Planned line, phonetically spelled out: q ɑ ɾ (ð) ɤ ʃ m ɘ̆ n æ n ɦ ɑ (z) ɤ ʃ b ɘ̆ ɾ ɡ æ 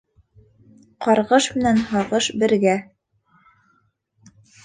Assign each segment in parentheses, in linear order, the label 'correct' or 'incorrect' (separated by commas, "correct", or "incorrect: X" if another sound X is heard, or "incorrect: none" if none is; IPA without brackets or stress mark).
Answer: incorrect: ʁ, incorrect: ʁ